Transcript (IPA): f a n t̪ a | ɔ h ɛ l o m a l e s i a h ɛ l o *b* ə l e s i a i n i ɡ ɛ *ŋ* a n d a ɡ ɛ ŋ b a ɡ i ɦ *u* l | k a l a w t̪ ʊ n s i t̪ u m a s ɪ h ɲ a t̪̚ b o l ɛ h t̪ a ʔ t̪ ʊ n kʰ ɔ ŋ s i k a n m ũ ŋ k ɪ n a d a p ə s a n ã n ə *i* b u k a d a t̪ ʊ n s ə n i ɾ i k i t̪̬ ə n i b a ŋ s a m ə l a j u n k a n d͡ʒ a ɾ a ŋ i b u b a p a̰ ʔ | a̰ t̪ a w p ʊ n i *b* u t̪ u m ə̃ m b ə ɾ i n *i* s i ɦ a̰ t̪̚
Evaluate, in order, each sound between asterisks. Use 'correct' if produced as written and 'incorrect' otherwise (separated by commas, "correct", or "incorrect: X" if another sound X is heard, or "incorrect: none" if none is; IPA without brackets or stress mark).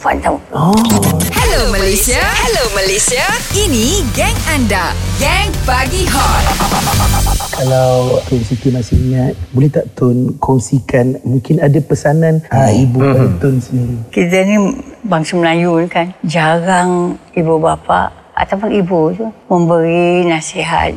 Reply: incorrect: m, correct, incorrect: ɔ, correct, correct, incorrect: a